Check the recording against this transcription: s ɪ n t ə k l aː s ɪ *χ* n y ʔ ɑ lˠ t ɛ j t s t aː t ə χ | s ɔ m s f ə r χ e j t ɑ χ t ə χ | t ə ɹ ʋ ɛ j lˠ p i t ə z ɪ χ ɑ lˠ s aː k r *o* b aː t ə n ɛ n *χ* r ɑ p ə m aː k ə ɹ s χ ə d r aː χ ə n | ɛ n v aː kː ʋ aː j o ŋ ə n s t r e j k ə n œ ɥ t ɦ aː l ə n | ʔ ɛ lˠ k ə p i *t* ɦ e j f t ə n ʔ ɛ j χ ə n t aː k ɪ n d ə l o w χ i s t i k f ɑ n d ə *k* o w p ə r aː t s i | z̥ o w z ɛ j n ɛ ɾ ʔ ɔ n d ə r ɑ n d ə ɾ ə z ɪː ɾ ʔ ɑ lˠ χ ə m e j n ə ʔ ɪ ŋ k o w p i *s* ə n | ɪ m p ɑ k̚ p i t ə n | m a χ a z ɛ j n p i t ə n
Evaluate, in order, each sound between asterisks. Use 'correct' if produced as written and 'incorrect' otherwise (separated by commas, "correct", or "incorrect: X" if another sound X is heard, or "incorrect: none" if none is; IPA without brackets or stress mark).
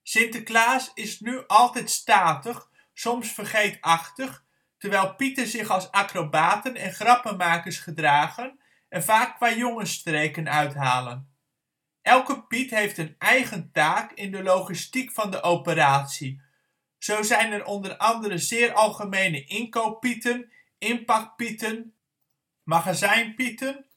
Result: incorrect: s, correct, correct, correct, incorrect: ʔ, incorrect: t